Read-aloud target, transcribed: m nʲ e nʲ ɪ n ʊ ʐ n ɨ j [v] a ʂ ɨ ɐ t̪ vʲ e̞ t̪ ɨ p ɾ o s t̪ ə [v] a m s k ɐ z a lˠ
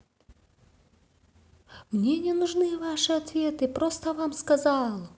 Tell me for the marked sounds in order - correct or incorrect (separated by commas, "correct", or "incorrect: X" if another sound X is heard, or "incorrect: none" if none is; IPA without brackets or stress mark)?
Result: correct, correct